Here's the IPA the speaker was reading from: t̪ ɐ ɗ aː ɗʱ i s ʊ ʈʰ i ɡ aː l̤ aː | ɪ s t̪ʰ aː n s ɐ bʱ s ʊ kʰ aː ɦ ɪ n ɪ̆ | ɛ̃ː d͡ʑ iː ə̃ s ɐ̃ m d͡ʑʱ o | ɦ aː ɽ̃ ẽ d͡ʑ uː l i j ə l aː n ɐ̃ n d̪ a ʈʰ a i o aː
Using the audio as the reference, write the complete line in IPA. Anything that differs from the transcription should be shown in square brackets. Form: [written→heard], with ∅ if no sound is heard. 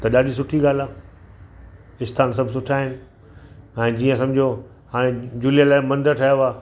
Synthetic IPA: t̪ ɐ ɗ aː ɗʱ i s ʊ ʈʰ i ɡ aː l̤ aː | ɪ s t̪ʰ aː n s ɐ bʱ s ʊ [kʰ→ʈʰ] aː ɦ ɪ n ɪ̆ | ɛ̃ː d͡ʑ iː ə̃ s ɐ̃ m d͡ʑʱ o | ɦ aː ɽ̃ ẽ d͡ʑ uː l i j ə l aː [n→m] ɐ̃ n d̪ [a→ə] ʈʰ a [i→j] o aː